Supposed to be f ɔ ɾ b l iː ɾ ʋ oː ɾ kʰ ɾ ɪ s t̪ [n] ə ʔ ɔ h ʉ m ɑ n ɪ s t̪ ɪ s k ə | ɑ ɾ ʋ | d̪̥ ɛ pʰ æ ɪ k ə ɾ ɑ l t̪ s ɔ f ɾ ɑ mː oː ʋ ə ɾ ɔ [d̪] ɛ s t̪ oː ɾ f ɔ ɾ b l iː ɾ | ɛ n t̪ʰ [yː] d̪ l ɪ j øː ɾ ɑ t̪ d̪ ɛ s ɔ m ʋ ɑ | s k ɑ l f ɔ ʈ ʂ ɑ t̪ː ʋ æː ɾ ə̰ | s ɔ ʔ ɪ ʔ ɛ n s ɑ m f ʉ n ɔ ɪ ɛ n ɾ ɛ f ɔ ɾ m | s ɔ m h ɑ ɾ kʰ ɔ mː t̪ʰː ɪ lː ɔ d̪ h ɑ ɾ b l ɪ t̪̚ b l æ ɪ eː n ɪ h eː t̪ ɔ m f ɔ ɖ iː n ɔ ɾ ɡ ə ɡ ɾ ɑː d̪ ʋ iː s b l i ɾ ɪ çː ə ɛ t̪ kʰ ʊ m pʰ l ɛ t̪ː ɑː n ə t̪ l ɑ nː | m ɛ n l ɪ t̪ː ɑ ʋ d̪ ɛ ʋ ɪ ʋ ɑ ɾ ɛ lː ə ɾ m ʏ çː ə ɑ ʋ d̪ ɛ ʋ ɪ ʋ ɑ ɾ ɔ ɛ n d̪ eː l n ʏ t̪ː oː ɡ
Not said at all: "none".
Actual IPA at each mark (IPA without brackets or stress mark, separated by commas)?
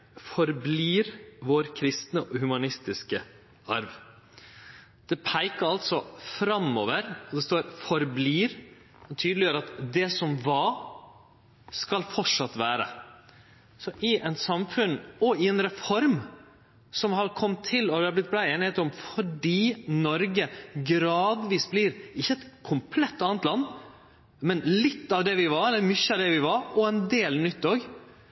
n, d̪, yː